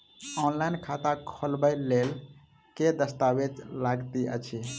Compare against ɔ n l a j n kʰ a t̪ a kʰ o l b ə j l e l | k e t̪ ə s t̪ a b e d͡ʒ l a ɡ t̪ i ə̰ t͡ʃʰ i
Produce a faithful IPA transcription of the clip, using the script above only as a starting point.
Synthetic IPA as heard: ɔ n l a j n kʰ a t̪ a kʰ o l b ə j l e l | k e d̪ ə s t̪ a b e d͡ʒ l a ɡ t̪ i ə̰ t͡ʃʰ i